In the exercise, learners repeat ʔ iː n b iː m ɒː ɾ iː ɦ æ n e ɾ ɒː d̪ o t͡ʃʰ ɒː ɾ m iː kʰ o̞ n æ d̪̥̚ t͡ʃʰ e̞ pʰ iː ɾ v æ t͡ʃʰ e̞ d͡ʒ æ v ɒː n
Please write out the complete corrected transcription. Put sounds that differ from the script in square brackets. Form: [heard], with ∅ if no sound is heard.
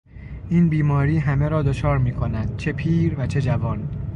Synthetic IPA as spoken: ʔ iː n b iː m ɒː ɾ iː ɦ æ [m] e ɾ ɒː d̪ o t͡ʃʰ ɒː ɾ m iː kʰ o̞ n æ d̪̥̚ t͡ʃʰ e̞ pʰ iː ɾ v æ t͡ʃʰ e̞ d͡ʒ æ v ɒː n